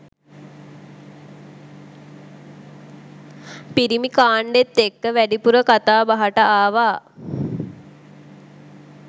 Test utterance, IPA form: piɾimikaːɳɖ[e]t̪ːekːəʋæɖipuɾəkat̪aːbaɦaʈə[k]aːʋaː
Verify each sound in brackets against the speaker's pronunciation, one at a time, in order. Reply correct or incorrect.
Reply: correct, incorrect

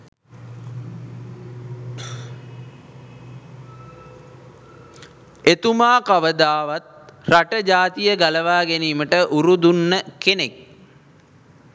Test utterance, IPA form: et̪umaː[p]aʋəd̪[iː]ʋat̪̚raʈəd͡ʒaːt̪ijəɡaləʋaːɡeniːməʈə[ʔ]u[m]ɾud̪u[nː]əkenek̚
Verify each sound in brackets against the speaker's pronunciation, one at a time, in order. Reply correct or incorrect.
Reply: incorrect, incorrect, correct, incorrect, correct

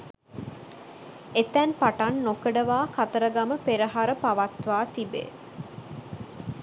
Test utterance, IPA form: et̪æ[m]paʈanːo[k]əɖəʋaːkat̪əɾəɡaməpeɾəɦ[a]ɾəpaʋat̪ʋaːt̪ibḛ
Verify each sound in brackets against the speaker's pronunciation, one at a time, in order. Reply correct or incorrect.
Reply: incorrect, correct, correct

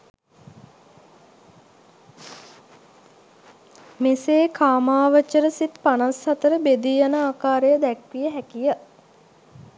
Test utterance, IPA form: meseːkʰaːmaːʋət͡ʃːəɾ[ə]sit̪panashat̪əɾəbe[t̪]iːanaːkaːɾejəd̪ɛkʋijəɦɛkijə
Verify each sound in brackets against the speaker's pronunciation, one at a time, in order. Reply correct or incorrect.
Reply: correct, incorrect

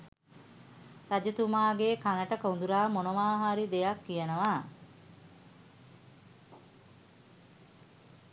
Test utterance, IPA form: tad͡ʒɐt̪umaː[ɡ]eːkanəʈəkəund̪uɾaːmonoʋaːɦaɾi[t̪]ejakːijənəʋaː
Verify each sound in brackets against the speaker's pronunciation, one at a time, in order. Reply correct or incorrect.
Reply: correct, incorrect

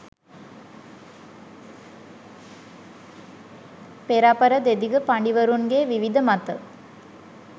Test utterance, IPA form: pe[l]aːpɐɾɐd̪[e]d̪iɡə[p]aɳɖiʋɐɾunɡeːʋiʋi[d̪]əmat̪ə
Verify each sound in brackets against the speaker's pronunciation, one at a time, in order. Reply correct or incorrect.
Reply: incorrect, correct, correct, correct

